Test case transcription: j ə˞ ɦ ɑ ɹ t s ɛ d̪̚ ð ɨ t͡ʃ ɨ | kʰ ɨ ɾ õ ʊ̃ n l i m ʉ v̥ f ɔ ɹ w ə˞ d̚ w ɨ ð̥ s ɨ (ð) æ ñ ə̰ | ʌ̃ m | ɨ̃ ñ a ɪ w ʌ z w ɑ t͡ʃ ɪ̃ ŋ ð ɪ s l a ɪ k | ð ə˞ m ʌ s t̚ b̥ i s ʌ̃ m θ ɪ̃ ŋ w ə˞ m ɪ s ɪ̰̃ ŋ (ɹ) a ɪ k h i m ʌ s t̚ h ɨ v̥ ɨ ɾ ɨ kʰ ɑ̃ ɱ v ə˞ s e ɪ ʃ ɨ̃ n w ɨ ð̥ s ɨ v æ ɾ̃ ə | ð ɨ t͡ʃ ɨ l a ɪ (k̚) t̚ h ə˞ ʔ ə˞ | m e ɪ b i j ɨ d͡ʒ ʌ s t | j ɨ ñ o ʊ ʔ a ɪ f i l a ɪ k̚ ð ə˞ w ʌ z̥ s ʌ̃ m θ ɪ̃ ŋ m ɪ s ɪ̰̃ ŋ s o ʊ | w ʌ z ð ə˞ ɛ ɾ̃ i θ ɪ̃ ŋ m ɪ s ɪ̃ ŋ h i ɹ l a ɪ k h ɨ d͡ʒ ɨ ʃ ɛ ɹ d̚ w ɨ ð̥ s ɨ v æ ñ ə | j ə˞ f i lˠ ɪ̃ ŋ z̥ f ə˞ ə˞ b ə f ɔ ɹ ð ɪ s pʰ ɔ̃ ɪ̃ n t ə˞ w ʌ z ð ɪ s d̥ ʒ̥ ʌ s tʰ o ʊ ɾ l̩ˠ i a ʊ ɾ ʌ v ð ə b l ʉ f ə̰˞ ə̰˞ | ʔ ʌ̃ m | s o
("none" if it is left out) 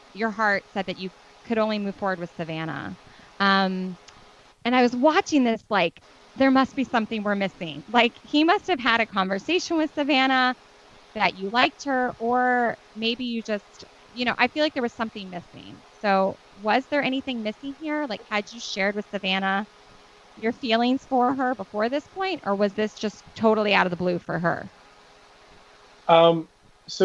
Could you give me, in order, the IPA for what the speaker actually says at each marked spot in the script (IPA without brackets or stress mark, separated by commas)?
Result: v, l, k̚